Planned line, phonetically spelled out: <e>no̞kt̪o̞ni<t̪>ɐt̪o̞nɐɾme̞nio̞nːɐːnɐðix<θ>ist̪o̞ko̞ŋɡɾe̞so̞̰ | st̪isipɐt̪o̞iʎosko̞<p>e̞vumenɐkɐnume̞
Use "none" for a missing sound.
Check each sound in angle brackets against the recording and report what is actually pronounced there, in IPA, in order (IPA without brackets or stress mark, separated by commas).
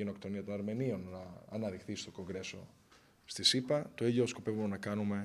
e, none, θ, p